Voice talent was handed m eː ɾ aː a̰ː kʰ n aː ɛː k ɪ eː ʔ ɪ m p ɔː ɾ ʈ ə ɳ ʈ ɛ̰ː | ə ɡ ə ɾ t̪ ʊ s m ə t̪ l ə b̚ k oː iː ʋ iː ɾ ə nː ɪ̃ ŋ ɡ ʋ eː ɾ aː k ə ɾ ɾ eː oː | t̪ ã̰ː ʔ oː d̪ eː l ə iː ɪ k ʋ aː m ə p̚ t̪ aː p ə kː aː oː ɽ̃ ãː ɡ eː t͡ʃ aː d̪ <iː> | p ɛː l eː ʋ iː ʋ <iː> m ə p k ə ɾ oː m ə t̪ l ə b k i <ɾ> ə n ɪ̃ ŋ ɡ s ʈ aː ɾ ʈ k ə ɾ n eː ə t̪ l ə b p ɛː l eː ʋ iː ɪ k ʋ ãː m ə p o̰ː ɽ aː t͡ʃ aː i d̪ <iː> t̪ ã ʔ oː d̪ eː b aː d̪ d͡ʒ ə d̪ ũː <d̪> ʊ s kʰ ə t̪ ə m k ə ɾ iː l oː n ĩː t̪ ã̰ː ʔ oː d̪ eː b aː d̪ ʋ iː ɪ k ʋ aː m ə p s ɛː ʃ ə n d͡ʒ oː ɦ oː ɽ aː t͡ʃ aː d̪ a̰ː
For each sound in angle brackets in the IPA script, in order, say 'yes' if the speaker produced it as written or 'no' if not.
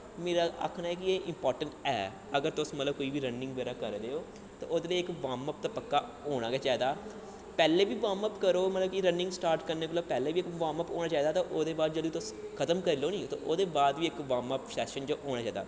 no, no, yes, no, no

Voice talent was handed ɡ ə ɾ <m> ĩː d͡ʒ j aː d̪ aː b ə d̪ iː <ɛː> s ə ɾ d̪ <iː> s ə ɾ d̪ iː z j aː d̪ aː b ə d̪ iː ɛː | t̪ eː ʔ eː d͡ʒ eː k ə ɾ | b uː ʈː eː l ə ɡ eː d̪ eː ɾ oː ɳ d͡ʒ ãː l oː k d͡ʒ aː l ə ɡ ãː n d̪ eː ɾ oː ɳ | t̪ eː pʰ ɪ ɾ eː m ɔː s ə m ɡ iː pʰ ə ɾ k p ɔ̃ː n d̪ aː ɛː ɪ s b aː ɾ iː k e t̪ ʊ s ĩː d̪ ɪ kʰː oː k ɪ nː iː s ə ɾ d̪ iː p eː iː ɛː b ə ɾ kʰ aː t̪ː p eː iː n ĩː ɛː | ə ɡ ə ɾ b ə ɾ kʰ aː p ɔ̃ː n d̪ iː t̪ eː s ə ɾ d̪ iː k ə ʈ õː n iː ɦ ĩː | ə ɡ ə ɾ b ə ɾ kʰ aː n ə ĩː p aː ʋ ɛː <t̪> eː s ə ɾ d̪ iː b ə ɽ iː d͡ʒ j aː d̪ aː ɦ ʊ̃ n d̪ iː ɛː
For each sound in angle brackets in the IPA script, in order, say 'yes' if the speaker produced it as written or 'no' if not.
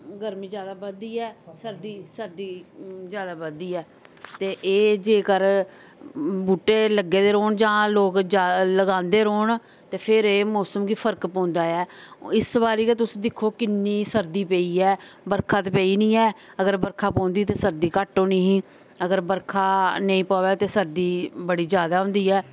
yes, yes, yes, yes

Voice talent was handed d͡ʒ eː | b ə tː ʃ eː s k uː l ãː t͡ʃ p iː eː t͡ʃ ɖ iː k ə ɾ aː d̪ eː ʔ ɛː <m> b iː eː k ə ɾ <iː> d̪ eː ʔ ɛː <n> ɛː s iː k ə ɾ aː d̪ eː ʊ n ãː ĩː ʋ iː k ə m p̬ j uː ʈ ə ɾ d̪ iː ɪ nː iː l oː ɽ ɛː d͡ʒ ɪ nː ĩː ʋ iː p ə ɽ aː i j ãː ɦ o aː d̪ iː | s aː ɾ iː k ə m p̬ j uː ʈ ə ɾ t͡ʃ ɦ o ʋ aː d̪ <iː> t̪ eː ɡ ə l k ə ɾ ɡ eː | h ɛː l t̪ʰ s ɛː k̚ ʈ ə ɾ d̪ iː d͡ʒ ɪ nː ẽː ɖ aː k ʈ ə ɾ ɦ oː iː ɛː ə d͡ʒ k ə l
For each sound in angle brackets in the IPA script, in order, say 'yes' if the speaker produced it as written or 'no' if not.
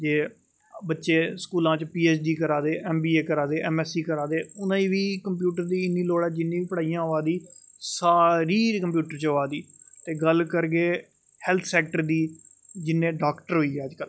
yes, no, no, yes

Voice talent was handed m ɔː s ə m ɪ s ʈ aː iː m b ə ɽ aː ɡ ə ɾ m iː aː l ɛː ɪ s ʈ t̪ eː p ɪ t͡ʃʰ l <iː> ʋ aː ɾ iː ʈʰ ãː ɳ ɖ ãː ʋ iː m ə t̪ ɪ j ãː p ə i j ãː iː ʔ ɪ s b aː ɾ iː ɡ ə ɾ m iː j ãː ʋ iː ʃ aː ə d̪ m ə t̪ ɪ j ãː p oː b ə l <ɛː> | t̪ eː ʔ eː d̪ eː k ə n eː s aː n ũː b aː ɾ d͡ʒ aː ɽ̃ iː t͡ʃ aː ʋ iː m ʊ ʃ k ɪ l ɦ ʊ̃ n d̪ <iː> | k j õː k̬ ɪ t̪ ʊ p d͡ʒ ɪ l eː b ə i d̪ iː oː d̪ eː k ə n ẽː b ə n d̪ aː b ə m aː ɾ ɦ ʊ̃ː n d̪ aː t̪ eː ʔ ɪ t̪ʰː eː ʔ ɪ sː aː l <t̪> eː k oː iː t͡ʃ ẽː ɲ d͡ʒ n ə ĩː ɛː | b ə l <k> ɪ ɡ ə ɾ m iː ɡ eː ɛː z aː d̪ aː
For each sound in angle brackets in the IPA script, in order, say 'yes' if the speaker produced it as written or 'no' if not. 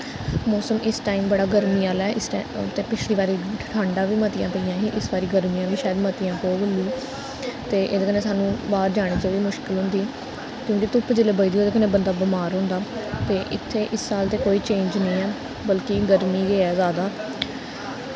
yes, no, yes, yes, yes

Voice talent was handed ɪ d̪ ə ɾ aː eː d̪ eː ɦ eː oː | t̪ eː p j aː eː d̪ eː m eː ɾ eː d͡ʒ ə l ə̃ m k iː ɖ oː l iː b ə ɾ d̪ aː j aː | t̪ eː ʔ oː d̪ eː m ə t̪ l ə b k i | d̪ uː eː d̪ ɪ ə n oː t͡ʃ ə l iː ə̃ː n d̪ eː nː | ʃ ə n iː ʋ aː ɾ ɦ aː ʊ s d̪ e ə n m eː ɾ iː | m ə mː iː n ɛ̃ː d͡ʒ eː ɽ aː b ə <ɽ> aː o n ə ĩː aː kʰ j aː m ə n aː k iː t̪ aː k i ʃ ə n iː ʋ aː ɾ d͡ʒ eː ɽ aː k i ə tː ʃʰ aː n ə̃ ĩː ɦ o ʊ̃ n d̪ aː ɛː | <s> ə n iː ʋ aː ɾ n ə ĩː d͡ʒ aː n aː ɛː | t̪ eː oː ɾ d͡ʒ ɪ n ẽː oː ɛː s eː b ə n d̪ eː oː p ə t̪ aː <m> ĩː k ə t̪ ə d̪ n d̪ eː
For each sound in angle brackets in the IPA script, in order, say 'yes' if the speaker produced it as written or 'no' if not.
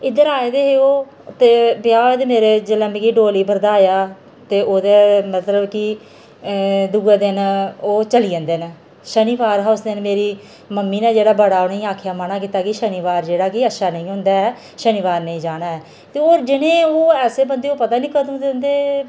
yes, no, no

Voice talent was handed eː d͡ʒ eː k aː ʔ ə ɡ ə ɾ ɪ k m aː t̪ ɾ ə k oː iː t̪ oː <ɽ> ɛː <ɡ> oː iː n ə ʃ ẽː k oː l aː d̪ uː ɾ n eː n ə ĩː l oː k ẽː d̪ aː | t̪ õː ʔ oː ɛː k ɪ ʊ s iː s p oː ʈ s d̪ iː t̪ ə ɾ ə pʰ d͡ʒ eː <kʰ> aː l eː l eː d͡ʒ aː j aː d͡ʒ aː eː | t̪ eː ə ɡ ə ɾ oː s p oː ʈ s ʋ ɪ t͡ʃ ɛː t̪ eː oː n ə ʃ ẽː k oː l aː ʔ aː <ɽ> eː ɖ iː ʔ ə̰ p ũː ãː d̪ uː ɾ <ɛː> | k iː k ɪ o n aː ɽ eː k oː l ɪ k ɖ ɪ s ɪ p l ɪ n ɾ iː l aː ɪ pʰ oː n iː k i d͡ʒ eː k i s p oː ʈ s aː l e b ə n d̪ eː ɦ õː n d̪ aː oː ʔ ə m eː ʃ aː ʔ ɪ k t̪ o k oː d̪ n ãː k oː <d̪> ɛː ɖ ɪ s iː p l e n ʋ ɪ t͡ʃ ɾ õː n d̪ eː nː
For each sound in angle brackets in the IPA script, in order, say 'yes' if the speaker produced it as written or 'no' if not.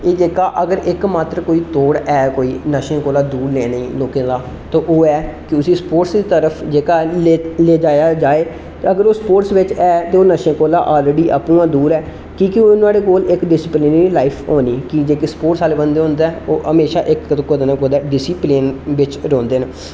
yes, no, no, no, yes, yes

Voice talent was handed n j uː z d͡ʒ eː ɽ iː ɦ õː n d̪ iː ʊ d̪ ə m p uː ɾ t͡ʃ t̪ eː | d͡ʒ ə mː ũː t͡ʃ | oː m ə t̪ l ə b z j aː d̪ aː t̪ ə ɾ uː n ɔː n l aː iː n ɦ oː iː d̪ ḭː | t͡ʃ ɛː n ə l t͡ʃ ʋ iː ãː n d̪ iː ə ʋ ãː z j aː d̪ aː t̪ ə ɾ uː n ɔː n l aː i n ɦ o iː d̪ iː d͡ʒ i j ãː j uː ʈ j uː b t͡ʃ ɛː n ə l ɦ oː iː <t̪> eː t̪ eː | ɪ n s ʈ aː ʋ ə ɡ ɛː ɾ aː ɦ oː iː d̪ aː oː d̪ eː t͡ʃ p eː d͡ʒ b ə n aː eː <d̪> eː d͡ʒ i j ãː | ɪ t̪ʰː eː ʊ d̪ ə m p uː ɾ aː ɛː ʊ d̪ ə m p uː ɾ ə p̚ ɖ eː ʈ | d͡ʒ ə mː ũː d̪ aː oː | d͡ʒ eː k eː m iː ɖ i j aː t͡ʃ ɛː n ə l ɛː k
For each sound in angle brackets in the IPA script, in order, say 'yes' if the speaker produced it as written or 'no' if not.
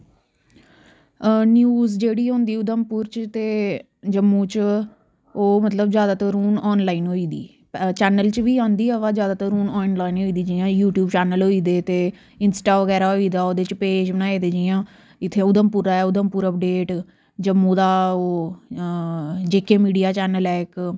no, yes

